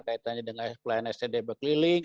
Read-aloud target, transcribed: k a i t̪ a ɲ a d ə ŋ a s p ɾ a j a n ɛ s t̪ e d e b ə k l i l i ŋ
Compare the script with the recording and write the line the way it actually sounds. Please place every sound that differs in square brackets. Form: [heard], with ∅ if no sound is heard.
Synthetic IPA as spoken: k a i t̪ a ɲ a d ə ŋ a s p [l] a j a n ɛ s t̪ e d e b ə k l i l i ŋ